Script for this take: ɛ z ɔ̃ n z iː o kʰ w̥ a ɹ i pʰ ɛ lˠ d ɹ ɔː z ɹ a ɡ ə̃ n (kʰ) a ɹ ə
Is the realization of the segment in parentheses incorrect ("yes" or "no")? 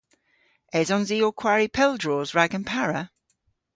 yes